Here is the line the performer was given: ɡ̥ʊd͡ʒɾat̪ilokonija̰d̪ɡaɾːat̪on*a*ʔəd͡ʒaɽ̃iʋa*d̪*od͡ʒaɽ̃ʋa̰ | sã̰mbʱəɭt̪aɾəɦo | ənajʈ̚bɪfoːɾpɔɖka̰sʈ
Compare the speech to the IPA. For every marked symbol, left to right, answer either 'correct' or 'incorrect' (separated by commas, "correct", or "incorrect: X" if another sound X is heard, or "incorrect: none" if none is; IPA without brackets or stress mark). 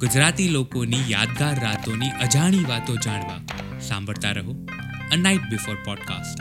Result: incorrect: i, incorrect: t̪